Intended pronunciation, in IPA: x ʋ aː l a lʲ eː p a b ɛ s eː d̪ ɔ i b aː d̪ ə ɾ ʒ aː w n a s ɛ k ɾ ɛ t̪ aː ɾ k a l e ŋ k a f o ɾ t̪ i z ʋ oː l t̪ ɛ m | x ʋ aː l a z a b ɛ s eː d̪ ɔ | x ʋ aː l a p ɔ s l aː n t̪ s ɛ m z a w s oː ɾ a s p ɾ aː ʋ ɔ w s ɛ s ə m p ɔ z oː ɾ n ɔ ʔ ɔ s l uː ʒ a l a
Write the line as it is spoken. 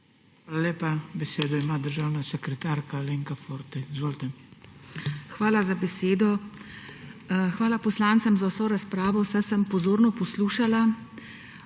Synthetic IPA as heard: x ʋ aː l a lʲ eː p a b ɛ s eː d̪ ɔ i m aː d̪ ə ɾ ʒ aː w n a s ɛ k ɾ ɛ t̪ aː ɾ k a l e ŋ k a f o ɾ t̪ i z ʋ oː l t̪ ɛ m | x ʋ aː l a z a b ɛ s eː d̪ ɔ | x ʋ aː l a p ɔ s l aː n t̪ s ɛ m z a w s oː ɾ a s p ɾ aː ʋ ɔ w s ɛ s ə m p ɔ z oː ɾ n ɔ p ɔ s l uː ʃ a l a

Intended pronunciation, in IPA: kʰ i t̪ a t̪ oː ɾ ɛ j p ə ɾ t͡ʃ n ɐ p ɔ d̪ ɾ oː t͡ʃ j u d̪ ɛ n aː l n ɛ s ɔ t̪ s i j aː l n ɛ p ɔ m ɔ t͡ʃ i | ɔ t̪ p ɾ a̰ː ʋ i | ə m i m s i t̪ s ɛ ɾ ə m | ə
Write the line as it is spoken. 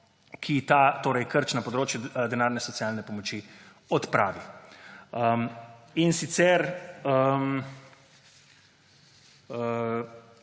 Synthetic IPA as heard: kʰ i t̪ a t̪ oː ɾ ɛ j k ə ɾ t͡ʃ n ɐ p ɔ d̪ ɾ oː t͡ʃ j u d̪ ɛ n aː ɾ n ɛ s ɔ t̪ s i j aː l n ɛ p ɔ m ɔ t͡ʃ i | ɔ t̪ p ɾ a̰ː ʋ i | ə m i n s i t̪ s ɛ ɾ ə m | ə

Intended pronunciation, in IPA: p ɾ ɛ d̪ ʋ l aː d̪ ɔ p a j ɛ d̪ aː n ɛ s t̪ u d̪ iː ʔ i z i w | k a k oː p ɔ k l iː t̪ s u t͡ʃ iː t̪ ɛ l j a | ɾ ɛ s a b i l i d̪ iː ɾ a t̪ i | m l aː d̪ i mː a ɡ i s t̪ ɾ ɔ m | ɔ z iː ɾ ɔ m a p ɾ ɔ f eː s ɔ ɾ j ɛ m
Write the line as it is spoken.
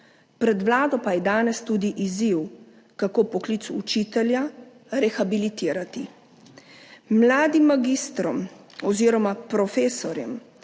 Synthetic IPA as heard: p ɾ ɛ d̪ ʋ l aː d̪ ɔ p a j ɛ d̪ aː n ɛ s t̪ u d̪ i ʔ i z i w | k a k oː p ɔ k l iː t̪ s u t͡ʃ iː t̪ ɛ l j a | ɾ ɛ x a b i l i t̪ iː ɾ a t̪ i | m l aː d̪ i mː a ɡ i s t̪ ɾ ɔ m | ɔ z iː ɾ ɔ m a p ɾ ɔ f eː s ɔ ɾ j ɛ m

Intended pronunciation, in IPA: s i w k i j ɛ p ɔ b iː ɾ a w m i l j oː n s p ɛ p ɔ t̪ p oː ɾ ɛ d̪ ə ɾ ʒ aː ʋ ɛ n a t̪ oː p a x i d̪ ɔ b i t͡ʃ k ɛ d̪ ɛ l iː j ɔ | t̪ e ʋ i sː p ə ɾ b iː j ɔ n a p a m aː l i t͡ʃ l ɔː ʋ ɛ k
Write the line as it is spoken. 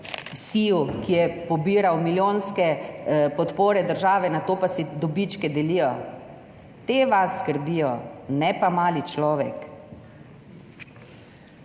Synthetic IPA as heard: s i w k i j ɛ p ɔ b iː ɾ a w m i l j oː n s k ɛ p ɔ t̪ p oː ɾ ɛ d̪ ə ɾ ʒ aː ʋ ɛ n a t̪ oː p a s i d̪ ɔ b i t͡ʃ k ɛ d̪ ɛ l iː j ɔ | t̪ e ʋ a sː k ə ɾ b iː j ɔ n ɛ p a m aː l i t͡ʃ l ɔː ʋ ɛ k

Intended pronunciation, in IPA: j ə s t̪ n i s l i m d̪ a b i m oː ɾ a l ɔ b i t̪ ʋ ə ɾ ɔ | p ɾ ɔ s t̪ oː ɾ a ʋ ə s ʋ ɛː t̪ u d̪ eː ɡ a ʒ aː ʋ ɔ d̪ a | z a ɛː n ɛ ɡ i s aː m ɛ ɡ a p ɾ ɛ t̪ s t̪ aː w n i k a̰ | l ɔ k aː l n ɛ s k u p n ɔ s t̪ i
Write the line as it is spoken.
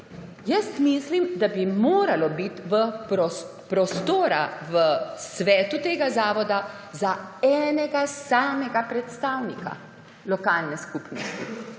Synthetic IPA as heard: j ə s t̪ m i s l i m d̪ a b i m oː ɾ a l ɔ b i t̪ ʋ ə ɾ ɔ | p ɾ ɔ s t̪ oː ɾ a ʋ ə s ʋ ɛː t̪ u t̪ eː ɡ a z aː ʋ ɔ d̪ a | z a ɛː n ɛ ɡ a s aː m ɛ ɡ a p ɾ ɛ t̪ s t̪ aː w n i k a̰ | l ɔ k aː l n ɛ s k u p n ɔ s t̪ i

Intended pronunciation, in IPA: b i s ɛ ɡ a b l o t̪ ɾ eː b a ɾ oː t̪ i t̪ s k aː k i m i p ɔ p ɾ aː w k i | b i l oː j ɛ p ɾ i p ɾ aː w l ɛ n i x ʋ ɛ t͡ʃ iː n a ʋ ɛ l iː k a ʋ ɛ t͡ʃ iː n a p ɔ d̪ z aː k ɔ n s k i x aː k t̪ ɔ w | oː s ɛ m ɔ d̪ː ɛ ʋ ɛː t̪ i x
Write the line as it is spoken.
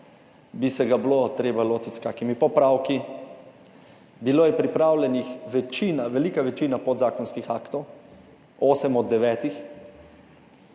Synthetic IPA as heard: b i s ɛ ɡ a b l o t̪ ɾ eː b a l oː t̪ i t̪ s k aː k i m i p ɔ p ɾ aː w k i | b i l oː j ɛ p ɾ i p ɾ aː w l ɛ n i x ʋ ɛ t͡ʃ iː n a ʋ ɛ l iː k a ʋ ɛ t͡ʃ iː n a p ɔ d̪ z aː k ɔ n s k i x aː k t̪ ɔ w | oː s ɛ m ɔ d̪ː ɛ ʋ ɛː t̪ i x

